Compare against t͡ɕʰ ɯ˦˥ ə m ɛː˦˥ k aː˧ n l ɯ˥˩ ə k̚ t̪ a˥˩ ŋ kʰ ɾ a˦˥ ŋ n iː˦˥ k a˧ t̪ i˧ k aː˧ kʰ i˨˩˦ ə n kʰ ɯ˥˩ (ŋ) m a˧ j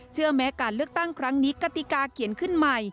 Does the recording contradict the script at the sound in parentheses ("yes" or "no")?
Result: yes